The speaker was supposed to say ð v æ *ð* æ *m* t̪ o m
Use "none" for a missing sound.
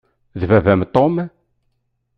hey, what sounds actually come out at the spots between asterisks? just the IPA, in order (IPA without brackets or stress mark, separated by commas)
v, m